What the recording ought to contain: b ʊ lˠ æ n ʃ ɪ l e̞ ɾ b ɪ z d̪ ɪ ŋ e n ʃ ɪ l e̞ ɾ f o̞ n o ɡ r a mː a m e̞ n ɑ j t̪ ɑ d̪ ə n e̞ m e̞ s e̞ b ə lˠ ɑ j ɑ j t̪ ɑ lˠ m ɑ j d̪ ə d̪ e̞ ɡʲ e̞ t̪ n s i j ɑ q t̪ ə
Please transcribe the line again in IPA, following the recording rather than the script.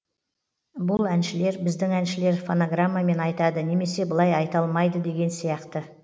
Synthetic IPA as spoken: b ʊ lˠ æ n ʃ ɪ l e̞ ɾ b ɪ z d̪ ɪ ŋ æ n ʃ ɪ l e̞ ɾ f o̞ n o ɡ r a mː a m e̞ n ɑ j t̪ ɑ d̪ ə n e̞ m e̞ s e̞ b ə lˠ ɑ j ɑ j t̪ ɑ lˠ m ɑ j d̪ ə d̪ e̞ ɡʲ e̞ n s i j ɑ q t̪ ə